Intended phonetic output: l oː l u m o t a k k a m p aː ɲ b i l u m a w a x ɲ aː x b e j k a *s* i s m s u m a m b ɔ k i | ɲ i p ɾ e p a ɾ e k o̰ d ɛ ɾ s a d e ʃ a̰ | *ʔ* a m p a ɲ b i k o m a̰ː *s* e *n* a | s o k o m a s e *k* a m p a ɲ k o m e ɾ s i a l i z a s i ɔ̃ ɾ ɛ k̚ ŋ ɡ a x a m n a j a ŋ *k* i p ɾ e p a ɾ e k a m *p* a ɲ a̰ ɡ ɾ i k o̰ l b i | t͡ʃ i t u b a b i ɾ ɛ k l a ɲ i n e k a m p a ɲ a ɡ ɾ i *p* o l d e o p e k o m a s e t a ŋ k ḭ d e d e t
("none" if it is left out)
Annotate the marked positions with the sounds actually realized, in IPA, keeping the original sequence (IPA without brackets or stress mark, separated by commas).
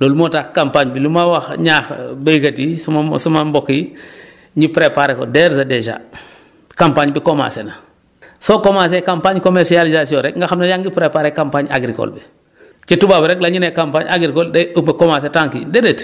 t, k, s, n, k, ɡ, p, k